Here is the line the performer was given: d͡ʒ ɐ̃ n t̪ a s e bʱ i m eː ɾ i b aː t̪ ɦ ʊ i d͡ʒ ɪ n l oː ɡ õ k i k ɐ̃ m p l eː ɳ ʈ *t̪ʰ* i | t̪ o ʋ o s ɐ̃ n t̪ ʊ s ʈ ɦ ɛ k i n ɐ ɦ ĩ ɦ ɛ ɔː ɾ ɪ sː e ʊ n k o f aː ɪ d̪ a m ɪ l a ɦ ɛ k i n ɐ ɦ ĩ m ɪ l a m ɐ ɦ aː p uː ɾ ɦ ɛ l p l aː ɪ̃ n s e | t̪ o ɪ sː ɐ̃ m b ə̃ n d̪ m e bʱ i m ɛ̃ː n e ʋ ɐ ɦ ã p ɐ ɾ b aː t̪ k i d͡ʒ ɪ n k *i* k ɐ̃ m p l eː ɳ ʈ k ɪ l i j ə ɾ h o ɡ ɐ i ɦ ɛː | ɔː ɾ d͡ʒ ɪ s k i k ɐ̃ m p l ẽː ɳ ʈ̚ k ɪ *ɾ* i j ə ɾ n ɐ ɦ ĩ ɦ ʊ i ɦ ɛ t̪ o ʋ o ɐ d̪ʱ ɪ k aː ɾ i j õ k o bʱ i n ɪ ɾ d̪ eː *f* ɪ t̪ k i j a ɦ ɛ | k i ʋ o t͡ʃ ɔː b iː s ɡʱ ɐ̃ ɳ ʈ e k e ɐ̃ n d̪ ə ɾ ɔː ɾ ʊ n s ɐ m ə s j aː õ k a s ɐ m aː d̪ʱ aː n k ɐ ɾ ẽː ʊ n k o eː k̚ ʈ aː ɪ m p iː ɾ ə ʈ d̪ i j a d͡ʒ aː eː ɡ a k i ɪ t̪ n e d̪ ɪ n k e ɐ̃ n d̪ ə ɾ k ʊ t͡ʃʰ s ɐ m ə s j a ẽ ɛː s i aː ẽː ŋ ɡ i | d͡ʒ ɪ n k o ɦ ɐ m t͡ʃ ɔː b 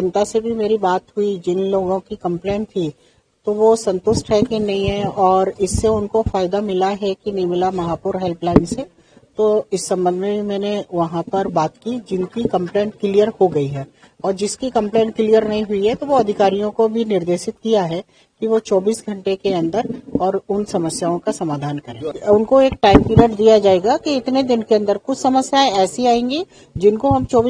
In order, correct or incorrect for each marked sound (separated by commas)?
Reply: correct, correct, incorrect, incorrect